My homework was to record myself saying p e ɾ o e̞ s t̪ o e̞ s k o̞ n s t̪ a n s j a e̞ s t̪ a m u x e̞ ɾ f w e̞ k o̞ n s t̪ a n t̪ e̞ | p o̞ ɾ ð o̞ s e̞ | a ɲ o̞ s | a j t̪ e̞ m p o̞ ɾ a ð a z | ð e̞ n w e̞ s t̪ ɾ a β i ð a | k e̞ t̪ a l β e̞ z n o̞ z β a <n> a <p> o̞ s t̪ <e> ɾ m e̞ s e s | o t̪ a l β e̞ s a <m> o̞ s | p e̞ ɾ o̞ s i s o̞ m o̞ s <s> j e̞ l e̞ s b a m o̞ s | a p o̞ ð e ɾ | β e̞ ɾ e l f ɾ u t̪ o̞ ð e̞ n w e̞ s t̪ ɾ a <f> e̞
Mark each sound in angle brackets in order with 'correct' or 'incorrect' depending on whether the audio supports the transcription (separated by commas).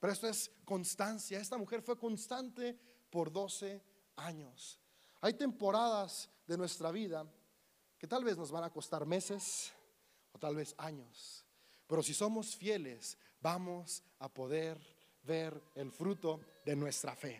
correct, incorrect, incorrect, incorrect, incorrect, correct